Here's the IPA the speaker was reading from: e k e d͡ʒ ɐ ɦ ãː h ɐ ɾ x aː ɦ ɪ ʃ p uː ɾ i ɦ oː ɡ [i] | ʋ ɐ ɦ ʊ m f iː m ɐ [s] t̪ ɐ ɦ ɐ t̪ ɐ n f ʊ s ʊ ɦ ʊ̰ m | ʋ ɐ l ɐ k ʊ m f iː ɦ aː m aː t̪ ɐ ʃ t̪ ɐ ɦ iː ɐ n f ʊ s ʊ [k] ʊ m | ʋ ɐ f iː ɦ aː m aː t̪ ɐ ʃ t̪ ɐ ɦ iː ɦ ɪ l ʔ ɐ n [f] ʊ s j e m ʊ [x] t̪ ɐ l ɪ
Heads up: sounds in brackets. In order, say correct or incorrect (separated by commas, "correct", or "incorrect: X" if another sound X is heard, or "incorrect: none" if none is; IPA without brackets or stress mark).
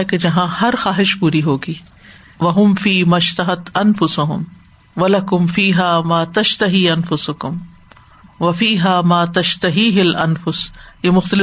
incorrect: iː, incorrect: ʃ, correct, correct, correct